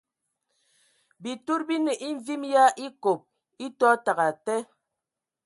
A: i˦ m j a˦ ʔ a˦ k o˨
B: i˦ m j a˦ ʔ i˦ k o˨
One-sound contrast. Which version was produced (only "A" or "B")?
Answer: B